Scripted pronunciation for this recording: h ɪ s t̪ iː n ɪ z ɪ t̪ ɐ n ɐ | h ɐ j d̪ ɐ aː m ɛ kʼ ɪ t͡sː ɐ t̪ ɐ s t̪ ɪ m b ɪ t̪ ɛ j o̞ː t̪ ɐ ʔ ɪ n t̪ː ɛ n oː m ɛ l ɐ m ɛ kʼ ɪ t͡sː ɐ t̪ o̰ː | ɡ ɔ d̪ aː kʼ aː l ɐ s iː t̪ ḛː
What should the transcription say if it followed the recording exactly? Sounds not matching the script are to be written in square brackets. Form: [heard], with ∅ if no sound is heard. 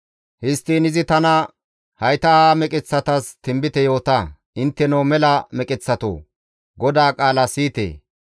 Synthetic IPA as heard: h ɪ s t̪ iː n ɪ z ɪ t̪ ɐ n ɐ | h ɐ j [t̪] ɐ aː m ɛ kʼ ɪ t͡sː ɐ t̪ ɐ s t̪ ɪ m b ɪ t̪ ɛ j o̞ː t̪ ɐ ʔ ɪ n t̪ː ɛ n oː m ɛ l ɐ m ɛ kʼ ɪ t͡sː ɐ t̪ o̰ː | ɡ ɔ d̪ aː kʼ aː l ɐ s iː t̪ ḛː